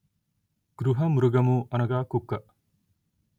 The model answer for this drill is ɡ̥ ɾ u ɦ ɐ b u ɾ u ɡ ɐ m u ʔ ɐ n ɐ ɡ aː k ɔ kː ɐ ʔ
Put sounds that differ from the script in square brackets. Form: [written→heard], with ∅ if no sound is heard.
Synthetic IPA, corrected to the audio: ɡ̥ ɾ u ɦ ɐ [b→m] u ɾ u ɡ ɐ m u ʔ ɐ n ɐ ɡ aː k [ɔ→u] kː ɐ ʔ